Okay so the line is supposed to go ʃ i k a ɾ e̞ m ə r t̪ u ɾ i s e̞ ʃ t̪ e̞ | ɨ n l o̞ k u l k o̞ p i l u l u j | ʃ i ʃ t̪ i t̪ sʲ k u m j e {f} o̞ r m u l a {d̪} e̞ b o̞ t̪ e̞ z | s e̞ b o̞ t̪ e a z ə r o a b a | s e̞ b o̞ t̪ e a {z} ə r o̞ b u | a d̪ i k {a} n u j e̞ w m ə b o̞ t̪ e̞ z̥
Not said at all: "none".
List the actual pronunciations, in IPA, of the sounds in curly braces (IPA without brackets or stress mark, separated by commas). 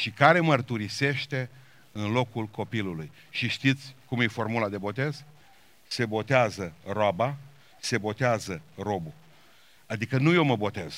f, d̪, z, ə